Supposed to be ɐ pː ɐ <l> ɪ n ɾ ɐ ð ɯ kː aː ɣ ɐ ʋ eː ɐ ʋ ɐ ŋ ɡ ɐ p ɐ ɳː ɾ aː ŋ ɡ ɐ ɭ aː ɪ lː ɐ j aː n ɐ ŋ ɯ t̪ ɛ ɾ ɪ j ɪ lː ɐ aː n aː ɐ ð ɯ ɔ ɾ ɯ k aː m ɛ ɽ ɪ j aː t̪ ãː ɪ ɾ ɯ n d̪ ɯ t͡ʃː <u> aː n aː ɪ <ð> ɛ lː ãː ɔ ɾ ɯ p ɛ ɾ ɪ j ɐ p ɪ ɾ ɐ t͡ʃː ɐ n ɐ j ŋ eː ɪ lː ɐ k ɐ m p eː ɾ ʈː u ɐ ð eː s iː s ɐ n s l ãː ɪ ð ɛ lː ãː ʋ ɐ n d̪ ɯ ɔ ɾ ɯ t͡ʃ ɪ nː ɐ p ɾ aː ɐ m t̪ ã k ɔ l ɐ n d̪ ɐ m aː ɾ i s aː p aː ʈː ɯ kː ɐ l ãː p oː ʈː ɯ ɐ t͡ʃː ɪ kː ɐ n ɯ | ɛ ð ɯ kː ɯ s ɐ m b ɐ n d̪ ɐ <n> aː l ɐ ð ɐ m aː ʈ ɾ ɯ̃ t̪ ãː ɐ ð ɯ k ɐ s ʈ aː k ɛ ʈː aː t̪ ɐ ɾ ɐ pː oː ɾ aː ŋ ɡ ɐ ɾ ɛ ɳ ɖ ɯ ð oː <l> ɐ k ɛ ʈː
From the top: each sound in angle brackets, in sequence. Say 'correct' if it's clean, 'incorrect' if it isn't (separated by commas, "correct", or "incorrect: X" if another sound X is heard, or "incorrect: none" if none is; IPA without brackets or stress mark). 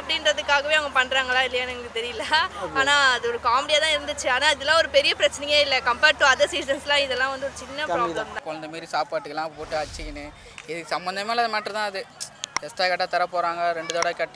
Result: incorrect: ɽ, incorrect: ɯ, correct, incorrect: m, incorrect: ɽ